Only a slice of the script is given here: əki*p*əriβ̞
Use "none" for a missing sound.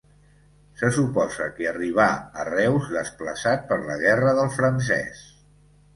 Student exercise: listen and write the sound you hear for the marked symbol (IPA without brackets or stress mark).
none